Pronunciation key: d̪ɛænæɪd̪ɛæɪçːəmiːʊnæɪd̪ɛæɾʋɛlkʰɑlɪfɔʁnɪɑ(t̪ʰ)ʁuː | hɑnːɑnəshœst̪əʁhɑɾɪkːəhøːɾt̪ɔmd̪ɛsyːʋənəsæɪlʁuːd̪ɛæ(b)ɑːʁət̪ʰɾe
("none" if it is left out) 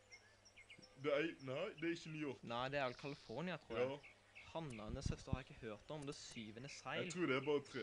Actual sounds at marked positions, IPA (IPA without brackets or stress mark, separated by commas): t̪ʰ, b